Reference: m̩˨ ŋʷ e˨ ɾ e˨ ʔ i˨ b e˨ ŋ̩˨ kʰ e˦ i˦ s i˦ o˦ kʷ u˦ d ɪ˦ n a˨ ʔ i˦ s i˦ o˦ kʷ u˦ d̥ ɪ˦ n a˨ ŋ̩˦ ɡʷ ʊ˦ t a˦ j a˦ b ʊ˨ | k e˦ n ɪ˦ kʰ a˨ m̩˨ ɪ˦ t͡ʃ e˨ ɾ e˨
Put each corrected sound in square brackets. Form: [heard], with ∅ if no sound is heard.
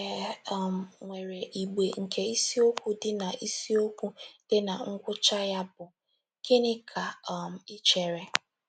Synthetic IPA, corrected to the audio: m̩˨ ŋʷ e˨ ɾ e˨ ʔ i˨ [ɡ͡b] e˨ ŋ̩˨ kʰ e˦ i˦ s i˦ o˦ kʷ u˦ d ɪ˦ n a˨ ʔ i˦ s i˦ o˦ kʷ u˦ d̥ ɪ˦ n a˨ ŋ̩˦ ɡʷ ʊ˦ [t͡ʃ] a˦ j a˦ b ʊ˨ | k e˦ n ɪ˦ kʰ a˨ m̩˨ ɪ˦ t͡ʃ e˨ ɾ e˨